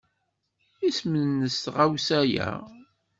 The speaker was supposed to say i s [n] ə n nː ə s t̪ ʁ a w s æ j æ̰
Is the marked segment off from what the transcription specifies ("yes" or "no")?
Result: yes